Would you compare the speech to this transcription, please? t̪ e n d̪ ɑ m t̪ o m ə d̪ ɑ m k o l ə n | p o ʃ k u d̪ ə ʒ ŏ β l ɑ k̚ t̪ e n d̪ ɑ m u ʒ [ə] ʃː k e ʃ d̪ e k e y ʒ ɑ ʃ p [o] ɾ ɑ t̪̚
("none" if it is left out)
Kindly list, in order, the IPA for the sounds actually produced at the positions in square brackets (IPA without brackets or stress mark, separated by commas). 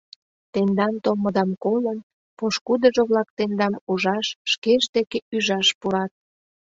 ɑ, u